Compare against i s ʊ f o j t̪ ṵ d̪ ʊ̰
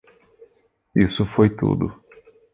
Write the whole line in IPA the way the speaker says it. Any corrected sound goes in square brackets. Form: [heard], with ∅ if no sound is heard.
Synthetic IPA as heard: i s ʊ f o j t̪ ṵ d̪ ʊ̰